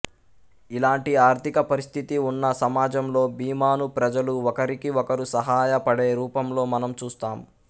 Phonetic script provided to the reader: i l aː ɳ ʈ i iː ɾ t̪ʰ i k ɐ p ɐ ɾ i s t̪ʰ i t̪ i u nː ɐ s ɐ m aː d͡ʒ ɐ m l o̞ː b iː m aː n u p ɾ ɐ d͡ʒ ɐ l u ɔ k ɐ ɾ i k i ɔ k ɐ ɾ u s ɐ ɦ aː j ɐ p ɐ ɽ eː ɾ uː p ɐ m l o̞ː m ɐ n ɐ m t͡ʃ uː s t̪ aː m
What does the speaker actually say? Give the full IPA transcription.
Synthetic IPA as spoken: i l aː ɳ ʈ i aː ɾ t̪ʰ i k ɐ p ɐ ɾ i s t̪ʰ i t̪ i u nː ɐ s ɐ m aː d͡ʒ ɐ m l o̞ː b iː m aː n u p ɾ ɐ d͡ʒ ɐ l u ɔ k ɐ ɾ i k i ɔ k ɐ ɾ u s ɐ ɦ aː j ɐ p ɐ ɽ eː ɾ uː p ɐ m l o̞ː m ɐ n ɐ m t͡ʃ uː s t̪ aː m